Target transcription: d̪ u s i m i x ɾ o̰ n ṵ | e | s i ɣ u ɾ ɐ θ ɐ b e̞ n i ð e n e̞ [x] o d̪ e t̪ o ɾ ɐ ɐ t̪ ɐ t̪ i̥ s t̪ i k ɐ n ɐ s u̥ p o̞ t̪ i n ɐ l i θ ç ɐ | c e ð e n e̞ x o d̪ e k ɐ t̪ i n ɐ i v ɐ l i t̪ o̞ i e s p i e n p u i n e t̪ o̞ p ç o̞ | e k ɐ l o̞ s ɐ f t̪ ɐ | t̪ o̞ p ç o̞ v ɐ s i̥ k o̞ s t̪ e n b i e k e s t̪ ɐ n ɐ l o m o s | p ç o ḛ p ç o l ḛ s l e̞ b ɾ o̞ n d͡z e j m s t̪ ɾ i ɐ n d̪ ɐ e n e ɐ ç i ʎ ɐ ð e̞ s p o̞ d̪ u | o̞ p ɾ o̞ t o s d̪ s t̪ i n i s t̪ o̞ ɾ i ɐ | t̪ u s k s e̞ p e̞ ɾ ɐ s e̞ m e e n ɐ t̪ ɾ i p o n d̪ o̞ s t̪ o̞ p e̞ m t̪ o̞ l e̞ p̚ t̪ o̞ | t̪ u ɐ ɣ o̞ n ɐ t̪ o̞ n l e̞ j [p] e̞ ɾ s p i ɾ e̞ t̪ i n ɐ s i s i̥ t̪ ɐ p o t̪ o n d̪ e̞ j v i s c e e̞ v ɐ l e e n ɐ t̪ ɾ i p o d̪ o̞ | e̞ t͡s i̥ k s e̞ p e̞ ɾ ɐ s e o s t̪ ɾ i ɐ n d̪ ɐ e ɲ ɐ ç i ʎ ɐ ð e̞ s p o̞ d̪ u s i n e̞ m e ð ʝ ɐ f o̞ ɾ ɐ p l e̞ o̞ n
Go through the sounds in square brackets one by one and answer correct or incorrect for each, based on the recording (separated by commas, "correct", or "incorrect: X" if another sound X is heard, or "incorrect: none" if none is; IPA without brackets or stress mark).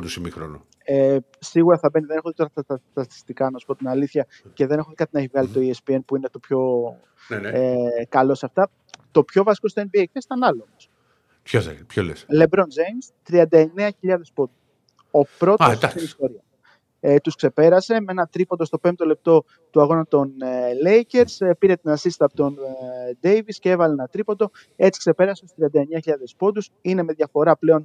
correct, incorrect: c